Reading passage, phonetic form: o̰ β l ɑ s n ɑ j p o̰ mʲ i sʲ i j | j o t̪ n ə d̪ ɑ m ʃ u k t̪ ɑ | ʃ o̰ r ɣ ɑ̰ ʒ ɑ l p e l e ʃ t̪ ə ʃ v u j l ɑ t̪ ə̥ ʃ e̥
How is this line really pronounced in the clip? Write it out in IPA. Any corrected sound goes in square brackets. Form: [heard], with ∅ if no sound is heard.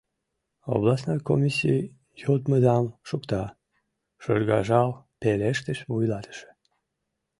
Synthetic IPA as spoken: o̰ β l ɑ s n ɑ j [k] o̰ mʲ i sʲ i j | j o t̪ [m] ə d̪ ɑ m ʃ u k t̪ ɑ | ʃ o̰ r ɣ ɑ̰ ʒ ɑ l p e l e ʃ t̪ ə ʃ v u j l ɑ t̪ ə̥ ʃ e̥